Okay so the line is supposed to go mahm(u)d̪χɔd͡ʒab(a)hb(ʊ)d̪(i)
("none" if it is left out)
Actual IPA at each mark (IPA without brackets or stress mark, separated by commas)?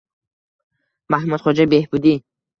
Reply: u, e, u, i